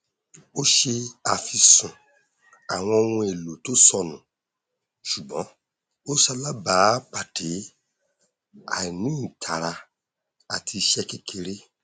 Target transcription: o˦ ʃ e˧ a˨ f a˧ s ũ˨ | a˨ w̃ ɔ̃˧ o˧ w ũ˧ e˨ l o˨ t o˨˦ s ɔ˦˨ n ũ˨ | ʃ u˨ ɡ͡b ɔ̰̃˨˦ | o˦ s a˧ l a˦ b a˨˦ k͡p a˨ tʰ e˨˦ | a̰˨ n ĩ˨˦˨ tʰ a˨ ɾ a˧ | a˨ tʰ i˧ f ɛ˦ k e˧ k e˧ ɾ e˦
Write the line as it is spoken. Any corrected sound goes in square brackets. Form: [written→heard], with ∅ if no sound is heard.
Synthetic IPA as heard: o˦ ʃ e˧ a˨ f [a˧→i˧] s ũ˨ | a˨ w̃ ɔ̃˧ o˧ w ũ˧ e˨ l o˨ t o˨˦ s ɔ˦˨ n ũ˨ | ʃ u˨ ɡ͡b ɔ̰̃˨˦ | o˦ s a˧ l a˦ b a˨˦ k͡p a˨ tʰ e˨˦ | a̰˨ n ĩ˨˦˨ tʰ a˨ ɾ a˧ | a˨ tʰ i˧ [f→ʃ] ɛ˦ k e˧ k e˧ ɾ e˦